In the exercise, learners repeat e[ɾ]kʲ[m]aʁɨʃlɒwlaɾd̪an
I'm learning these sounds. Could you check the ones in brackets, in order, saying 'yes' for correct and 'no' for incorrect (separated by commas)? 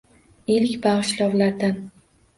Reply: no, no